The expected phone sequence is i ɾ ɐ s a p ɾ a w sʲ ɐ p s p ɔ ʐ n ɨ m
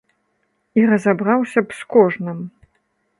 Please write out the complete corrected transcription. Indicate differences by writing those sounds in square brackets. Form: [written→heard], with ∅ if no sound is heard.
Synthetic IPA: i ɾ ɐ [s→z] a [p→b] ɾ a w sʲ ɐ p s [p→k] ɔ ʐ n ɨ m